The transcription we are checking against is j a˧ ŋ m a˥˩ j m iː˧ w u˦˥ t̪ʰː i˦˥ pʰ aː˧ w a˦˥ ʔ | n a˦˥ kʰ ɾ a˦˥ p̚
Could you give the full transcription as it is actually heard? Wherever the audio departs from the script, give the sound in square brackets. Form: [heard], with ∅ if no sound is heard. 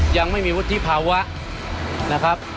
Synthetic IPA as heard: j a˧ ŋ m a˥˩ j m iː˧ w u˦˥ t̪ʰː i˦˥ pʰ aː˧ w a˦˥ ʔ | n a˦˥ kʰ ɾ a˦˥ p̚